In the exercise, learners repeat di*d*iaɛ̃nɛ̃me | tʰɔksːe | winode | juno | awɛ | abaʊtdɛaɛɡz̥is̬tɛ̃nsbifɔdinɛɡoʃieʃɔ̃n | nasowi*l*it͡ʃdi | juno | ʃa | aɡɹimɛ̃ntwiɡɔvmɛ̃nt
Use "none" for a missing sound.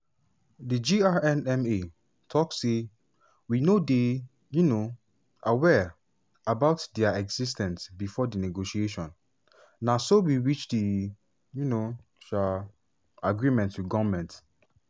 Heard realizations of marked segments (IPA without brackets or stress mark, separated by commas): d͡ʒ, ɹ